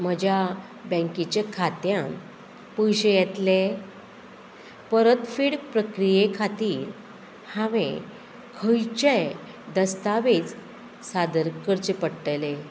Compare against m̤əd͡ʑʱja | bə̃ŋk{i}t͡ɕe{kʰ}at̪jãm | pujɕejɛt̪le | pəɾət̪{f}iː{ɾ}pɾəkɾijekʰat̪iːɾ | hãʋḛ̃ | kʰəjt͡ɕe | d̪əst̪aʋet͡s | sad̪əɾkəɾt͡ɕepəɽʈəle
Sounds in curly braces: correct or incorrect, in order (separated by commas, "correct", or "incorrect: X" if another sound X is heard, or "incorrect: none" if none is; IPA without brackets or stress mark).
correct, correct, correct, incorrect: ɽ